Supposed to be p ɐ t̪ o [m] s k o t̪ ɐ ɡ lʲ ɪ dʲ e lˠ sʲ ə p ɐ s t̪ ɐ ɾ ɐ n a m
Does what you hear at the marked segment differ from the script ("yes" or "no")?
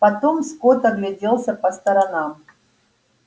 no